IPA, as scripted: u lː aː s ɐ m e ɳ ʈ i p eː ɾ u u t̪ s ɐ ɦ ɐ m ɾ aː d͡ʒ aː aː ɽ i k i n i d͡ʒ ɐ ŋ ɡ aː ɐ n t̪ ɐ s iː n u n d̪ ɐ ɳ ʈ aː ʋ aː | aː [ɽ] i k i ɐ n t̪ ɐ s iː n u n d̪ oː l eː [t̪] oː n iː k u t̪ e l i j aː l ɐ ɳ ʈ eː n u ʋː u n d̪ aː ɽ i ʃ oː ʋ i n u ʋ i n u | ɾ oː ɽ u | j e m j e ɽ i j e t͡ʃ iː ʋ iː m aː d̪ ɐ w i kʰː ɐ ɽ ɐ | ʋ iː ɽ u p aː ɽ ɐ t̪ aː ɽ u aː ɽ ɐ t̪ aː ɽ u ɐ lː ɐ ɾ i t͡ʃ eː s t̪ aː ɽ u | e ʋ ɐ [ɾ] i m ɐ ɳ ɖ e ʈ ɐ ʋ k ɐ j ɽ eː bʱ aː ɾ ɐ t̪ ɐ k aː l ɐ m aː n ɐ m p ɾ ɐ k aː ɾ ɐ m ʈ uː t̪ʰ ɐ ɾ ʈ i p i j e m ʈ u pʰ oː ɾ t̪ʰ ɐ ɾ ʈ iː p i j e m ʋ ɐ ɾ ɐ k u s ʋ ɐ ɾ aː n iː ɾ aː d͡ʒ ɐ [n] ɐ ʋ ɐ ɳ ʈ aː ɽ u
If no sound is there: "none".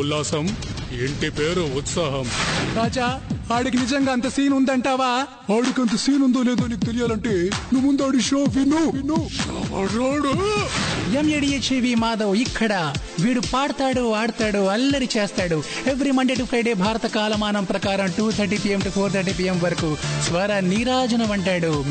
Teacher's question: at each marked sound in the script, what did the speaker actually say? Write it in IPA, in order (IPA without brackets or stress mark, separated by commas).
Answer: ɽ, d̪, ɾ, n